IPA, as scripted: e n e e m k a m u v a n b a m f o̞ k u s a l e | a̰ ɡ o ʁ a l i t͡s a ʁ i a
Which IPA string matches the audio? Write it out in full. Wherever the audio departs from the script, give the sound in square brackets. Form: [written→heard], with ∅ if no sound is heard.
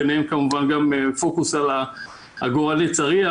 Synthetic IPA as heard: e n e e m k a m u v a n [b→ɡ] a m f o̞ k u s a l [e→a] | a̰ ɡ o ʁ a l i t͡s a ʁ i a